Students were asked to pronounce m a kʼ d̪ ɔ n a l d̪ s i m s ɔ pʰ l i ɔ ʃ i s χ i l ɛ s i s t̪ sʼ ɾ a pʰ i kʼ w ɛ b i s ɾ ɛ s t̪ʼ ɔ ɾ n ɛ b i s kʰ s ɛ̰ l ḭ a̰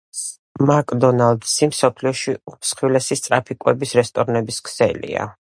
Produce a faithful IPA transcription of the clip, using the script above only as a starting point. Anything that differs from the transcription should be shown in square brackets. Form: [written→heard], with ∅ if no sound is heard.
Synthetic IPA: m a kʼ d̪ ɔ n a l d̪ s i m s ɔ pʰ l i ɔ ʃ i s χ i l ɛ s i s t̪ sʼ ɾ a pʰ i kʼ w ɛ b i s ɾ ɛ s t̪ʼ ɔ ɾ n ɛ b i s kʰ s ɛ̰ l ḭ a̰

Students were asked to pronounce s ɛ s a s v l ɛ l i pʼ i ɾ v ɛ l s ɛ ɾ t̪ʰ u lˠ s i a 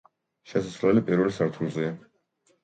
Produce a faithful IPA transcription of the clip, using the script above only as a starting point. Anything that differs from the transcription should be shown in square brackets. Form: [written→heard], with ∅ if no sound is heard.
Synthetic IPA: [s→ʃ] ɛ s a s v l ɛ l i pʼ i ɾ v ɛ l s [ɛ→a] ɾ t̪ʰ u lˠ [s→z] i a

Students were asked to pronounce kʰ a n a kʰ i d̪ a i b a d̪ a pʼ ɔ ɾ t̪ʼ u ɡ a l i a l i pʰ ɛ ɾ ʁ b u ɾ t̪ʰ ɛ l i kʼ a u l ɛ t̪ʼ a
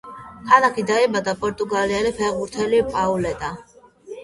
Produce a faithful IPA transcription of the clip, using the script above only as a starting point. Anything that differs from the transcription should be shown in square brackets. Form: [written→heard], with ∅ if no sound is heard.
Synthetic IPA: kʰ a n a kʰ i d̪ a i b a d̪ a pʼ ɔ ɾ t̪ʼ u ɡ a l i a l i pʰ ɛ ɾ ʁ b u ɾ t̪ʰ ɛ l i [kʼ→pʼ] a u l ɛ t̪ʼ a

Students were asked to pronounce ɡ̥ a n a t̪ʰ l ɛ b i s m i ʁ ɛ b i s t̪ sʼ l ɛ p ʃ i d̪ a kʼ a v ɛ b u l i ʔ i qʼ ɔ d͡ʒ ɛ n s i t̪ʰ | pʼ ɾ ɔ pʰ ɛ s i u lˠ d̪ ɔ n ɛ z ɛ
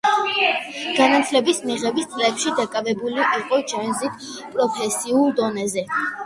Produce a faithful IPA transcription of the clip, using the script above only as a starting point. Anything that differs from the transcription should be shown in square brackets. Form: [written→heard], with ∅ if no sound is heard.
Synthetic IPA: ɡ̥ a n a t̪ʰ l ɛ b i s m i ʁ ɛ b i s t̪ sʼ l ɛ p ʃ i d̪ a kʼ a v ɛ b u l i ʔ i qʼ ɔ d͡ʒ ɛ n [s→z] i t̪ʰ | pʼ ɾ ɔ pʰ ɛ s i u lˠ d̪ ɔ n ɛ z ɛ

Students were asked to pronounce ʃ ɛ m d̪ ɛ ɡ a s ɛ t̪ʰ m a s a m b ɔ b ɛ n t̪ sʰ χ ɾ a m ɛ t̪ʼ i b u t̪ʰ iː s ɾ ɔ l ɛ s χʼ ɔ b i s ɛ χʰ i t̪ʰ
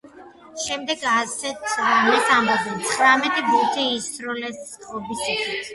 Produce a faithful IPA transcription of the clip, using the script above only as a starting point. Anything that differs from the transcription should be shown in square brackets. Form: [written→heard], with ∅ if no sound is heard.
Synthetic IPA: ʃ ɛ m d̪ ɛ ɡ a s ɛ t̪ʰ m [a→ɛ] s a m b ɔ b ɛ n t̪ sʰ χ ɾ a m ɛ t̪ʼ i b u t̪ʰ iː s ɾ ɔ l ɛ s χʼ ɔ b i s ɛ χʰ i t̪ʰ

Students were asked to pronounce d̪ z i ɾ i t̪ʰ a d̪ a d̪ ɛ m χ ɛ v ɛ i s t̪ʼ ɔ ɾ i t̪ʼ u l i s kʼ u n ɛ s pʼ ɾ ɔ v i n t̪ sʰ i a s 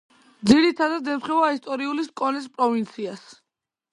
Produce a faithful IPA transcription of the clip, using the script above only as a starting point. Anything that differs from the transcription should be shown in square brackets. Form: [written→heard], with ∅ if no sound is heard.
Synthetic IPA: d̪ z i ɾ i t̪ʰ a d̪ a d̪ ɛ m χ ɛ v [ɛ→a] i s t̪ʼ ɔ ɾ i [t̪ʼ→∅] u l i s kʼ [u→ɔ] n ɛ s pʼ ɾ ɔ v i n t̪ sʰ i a s

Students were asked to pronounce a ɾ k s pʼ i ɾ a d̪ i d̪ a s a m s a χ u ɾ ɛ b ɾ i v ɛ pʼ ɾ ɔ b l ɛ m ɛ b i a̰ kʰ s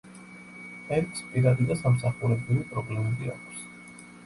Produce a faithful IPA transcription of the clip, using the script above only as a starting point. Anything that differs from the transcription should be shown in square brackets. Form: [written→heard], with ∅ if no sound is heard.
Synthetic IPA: [a→ɛ] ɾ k s pʼ i ɾ a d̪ i d̪ a s a m s a χ u ɾ ɛ b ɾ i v [ɛ→i] pʼ ɾ ɔ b l ɛ m ɛ b i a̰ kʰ s

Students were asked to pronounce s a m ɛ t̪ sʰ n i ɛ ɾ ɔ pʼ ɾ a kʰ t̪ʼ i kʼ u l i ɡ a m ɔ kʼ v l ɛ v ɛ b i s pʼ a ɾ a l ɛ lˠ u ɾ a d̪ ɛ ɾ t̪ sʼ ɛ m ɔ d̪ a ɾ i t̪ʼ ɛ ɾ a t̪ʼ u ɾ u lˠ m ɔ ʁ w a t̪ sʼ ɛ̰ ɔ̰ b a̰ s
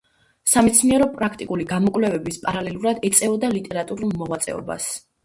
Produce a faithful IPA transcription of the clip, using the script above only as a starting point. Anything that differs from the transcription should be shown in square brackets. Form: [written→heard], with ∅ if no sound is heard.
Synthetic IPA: s a m ɛ t̪ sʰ n i ɛ ɾ ɔ pʼ ɾ a kʰ t̪ʼ i kʼ u l i ɡ a m ɔ kʼ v l ɛ v ɛ b i s pʼ a ɾ a l ɛ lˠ u ɾ a d̪ ɛ [ɾ→∅] t̪ sʼ ɛ [m→∅] ɔ d̪ a [ɾ→l] i t̪ʼ ɛ ɾ a t̪ʼ u ɾ u lˠ m ɔ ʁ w a t̪ sʼ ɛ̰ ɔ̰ b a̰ s

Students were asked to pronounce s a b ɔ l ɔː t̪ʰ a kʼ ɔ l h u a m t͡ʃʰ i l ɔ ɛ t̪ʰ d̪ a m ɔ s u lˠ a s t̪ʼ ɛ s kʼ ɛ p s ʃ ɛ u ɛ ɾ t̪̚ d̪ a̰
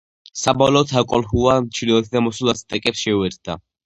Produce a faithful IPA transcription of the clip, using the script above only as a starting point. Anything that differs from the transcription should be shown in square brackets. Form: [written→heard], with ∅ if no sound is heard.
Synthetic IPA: s a b ɔ l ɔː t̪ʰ a kʼ ɔ l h u a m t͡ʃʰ i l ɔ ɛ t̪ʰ d̪ a m ɔ s u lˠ a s t̪ʼ ɛ [s→∅] kʼ ɛ p s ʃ ɛ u ɛ ɾ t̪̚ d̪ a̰

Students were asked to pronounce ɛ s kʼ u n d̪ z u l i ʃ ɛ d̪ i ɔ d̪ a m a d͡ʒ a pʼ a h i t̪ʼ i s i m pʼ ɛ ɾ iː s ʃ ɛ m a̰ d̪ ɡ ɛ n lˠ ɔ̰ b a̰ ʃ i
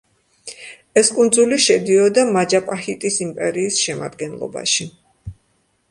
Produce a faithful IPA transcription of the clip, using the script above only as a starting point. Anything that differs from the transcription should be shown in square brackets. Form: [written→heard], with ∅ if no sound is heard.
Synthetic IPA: ɛ s kʼ u n d̪ z u l i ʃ ɛ d̪ i ɔ d̪ a m a d͡ʒ a pʼ a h i t̪ʼ i s i m pʼ ɛ ɾ iː s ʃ ɛ m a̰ d̪ ɡ ɛ n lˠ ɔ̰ b a̰ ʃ i

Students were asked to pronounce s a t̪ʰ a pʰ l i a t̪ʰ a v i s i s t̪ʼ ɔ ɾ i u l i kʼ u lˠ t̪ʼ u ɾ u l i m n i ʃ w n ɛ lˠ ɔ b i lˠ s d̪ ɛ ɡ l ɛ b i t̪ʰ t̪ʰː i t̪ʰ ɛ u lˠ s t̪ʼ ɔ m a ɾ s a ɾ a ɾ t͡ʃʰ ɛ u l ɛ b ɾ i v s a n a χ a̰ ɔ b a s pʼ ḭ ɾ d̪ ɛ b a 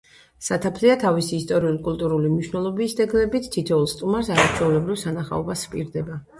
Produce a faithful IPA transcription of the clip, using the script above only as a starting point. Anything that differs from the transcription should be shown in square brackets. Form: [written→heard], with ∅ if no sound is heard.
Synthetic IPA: s a t̪ʰ a pʰ l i a t̪ʰ a v i s [i→iː] s t̪ʼ ɔ ɾ i u l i kʼ u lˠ t̪ʼ u ɾ u l i m n i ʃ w n ɛ lˠ ɔ b i [lˠ→∅] s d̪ ɛ ɡ l ɛ b i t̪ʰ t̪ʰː i t̪ʰ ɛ u lˠ s t̪ʼ [ɔ→u] m a ɾ s a ɾ a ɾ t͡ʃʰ ɛ u l ɛ b ɾ i v s a n a χ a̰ ɔ b a s pʼ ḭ ɾ d̪ ɛ b a

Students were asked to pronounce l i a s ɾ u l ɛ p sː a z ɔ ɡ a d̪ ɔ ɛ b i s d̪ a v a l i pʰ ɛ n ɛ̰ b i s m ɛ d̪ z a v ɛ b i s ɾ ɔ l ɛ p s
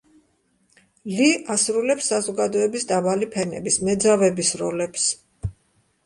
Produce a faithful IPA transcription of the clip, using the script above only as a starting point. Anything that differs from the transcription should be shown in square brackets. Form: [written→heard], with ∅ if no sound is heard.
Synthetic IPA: l i a s ɾ u l ɛ p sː a z ɔ ɡ a d̪ ɔ ɛ b i s d̪ a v a l i pʰ ɛ n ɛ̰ b i s m ɛ d̪ z a v ɛ b i s ɾ ɔ l ɛ p s

